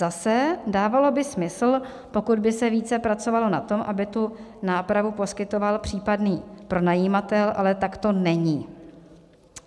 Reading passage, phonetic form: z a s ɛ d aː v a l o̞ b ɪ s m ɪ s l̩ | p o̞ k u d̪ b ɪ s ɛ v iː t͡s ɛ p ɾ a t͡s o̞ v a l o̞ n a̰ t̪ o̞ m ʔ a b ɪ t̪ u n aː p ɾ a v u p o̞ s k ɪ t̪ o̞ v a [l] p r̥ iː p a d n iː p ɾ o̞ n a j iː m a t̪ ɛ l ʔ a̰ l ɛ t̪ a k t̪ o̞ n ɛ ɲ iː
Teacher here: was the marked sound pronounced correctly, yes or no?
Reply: yes